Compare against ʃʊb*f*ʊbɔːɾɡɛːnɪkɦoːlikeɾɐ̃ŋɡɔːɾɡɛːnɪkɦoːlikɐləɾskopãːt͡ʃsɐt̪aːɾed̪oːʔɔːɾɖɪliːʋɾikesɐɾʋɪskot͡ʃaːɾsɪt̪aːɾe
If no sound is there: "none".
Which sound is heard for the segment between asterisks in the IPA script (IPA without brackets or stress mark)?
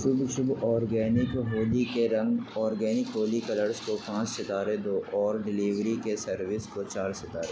ʃ